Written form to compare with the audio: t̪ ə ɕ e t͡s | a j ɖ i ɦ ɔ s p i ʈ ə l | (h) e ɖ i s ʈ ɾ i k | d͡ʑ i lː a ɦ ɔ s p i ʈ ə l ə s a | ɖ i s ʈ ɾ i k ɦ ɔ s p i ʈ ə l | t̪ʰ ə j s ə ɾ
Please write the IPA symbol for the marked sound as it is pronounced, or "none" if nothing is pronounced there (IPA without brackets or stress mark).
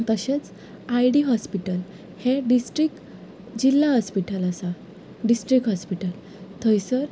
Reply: h